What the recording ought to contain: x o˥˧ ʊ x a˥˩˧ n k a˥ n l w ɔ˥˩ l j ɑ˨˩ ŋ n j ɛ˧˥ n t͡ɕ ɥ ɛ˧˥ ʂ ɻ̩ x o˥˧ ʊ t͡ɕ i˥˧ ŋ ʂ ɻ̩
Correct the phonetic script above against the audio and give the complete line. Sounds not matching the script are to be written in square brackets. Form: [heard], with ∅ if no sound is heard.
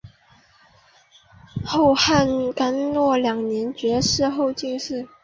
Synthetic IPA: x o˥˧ ʊ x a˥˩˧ n k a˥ n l w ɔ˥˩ l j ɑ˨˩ ŋ n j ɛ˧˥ n t͡ɕ ɥ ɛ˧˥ ʂ ɻ̩ x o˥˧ ʊ t͡ɕ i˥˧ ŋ ʂ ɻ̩